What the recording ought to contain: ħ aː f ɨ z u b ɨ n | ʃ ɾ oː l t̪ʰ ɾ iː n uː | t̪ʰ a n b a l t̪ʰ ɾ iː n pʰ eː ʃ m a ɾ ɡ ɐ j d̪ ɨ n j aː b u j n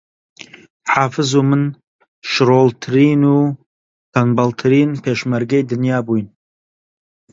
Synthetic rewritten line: ħ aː f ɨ z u m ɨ n | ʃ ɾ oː l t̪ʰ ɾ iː n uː | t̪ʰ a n b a l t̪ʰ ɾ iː n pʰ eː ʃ m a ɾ ɡ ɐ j d̪ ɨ n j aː b u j n

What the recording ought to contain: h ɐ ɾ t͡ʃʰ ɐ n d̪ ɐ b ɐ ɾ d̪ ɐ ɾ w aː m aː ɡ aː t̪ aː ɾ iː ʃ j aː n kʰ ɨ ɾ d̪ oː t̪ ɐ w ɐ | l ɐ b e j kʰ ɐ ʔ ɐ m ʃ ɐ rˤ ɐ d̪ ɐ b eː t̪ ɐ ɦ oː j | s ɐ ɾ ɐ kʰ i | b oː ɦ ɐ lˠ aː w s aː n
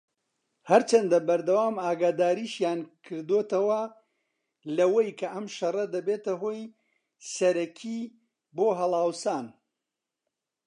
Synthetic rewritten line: h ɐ ɾ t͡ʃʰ ɐ n d̪ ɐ b ɐ ɾ d̪ ɐ w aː m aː ɡ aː d̪ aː ɾ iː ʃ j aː n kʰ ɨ ɾ d̪ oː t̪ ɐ w ɐ | l ɐ w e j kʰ ɐ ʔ ɐ m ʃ ɐ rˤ ɐ d̪ ɐ b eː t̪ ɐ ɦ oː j | s ɐ ɾ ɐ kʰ i | b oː ɦ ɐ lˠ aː w s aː n

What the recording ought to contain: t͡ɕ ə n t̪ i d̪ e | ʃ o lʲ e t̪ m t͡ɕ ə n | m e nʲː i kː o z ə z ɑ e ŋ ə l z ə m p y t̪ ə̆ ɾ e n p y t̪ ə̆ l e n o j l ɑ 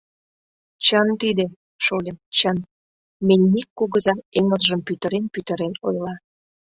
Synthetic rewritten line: t͡ɕ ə n t̪ i d̪ e | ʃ o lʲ e m t͡ɕ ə n | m e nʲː i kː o ɣ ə z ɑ e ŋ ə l ʒ ə m p y t̪ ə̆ ɾ e n p y t̪ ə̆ ɾ e n o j l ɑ

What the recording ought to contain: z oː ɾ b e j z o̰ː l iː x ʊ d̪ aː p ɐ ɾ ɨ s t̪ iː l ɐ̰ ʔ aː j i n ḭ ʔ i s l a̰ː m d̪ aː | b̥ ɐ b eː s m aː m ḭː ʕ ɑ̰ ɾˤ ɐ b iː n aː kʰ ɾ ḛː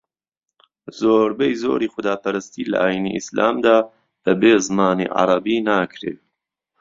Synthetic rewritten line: z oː ɾ b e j z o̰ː ɾ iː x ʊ d̪ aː p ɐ ɾ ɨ s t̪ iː l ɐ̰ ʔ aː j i n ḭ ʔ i s l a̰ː m d̪ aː | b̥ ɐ b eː z m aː n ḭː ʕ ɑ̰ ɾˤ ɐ b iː n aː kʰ ɾ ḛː

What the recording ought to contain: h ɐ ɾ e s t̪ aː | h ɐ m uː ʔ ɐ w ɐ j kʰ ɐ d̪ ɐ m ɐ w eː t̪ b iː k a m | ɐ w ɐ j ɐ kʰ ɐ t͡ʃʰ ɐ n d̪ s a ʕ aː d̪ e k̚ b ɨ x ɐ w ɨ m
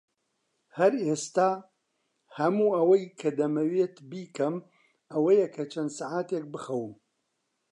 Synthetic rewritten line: h ɐ ɾ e s t̪ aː | h ɐ m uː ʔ ɐ w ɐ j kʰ ɐ d̪ ɐ m ɐ w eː t̪ b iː k ɐ m | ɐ w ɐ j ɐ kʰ ɐ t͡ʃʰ ɐ n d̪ s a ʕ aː t̪ e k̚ b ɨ x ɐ w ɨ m

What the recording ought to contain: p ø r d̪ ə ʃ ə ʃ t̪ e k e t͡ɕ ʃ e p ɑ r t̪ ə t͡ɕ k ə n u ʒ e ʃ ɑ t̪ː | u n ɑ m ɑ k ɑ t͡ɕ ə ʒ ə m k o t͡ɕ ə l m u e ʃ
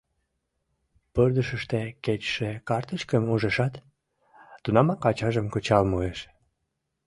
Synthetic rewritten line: p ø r d̪ ə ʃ ə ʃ t̪ e k e t͡ɕ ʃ e k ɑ r t̪ ə t͡ɕ k ə m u ʒ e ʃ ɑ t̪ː | u n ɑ m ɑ k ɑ t͡ɕ ɑ ʒ ə m k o t͡ɕ ɑ l m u e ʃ

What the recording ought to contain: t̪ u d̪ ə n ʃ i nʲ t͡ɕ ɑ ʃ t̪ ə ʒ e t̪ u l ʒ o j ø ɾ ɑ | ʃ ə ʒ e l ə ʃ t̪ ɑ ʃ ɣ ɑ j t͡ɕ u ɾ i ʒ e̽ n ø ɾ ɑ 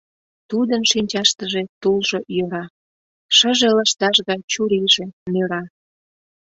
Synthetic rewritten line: t̪ u d̪ ə n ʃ i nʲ t͡ɕ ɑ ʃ t̪ ə ʒ e t̪ u l ʒ o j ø ɾ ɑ | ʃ ə ʒ e l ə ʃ t̪ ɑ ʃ ɣ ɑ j t͡ɕ u ɾ i ʒ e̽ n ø ɾ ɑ

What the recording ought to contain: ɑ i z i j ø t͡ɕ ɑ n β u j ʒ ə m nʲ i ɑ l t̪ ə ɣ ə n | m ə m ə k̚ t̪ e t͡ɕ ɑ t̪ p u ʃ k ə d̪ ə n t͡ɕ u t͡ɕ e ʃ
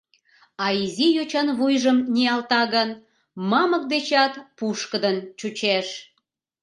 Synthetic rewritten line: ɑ i z i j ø t͡ɕ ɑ n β u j ʒ ə m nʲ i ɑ l t̪ ɑ ɣ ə n | m ɑ m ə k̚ d̪ e t͡ɕ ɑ t̪ p u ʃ k ə d̪ ə n t͡ɕ u t͡ɕ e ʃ

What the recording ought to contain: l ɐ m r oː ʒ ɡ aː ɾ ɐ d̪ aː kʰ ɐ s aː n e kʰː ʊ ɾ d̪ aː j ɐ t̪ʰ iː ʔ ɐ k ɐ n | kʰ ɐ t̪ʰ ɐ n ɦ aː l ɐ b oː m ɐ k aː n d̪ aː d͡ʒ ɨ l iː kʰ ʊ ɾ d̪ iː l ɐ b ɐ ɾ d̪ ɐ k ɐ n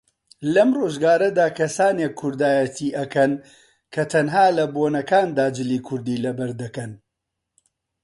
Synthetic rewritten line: l ɐ m r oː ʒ ɡ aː ɾ ɐ d̪ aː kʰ ɐ s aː n e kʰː ʊ ɾ d̪ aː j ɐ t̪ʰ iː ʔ ɐ k ɐ n | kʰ ɐ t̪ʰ ɐ n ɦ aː l ɐ b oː n ɐ k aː n d̪ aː d͡ʒ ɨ l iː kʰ ʊ ɾ d̪ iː l ɐ b ɐ ɾ d̪ ɐ k ɐ n

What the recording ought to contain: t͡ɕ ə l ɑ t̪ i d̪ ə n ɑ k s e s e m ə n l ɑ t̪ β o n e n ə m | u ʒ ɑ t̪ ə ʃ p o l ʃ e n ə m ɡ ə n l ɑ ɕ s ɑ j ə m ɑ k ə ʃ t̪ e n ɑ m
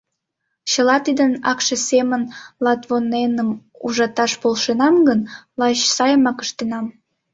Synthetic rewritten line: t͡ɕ ə l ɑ t̪ i d̪ ə n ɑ k ʃ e s e m ə n l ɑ t̪ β o n e n ə m | u ʒ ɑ t̪ ɑ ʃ p o l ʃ e n ɑ m ɡ ə n l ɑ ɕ s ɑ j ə m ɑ k ə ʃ t̪ e n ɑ m

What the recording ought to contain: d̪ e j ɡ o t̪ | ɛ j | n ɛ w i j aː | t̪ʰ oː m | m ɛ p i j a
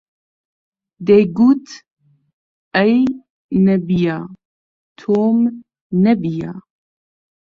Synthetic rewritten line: d̪ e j ɡ u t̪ | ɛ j | n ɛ b i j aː | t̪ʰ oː m | n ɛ b i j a

